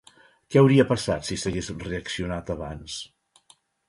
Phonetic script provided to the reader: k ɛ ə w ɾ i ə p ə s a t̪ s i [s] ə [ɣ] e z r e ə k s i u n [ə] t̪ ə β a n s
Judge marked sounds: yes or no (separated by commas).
yes, yes, no